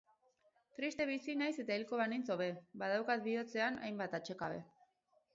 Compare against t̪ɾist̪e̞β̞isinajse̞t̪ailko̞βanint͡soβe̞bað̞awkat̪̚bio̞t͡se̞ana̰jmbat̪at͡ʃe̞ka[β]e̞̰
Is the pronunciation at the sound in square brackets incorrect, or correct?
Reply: correct